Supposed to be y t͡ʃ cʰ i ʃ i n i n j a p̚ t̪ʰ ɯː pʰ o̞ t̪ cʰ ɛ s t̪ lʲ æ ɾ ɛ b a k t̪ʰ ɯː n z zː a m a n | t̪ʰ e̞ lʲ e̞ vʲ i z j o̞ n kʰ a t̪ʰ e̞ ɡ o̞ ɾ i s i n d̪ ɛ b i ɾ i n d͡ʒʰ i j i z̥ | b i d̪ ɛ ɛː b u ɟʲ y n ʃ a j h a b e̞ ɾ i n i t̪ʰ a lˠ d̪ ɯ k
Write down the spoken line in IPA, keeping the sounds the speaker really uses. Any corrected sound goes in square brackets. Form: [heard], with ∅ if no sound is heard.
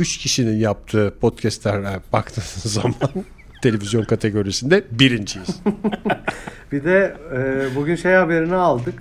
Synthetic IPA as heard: y t͡ʃ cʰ i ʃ i n i n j a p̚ t̪ʰ ɯː pʰ o̞ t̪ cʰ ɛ s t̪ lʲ æ ɾ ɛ b a k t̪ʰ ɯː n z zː a m a n | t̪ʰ e̞ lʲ e̞ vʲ i z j o̞ n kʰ a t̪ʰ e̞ ɡ o̞ ɾ i s i n d̪ ɛ b i ɾ i n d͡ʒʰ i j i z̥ | b i d̪ ɛ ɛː b u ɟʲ y n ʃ [e] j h a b e̞ ɾ i n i [∅] a lˠ d̪ ɯ k